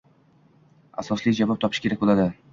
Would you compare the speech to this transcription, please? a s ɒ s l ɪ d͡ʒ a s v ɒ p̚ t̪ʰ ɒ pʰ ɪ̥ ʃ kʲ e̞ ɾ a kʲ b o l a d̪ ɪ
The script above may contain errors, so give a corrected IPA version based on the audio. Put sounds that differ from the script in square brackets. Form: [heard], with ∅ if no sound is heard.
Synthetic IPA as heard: a s ɒ s l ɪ d͡ʒ a [∅] v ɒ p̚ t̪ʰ ɒ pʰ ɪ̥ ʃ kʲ e̞ ɾ a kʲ b o l a d̪ ɪ